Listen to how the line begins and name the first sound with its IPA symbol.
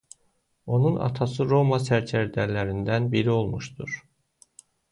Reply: o̞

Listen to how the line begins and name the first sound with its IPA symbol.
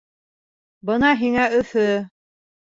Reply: b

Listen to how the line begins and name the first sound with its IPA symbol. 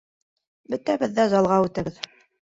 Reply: b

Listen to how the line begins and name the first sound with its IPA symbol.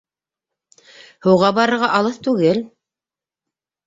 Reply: h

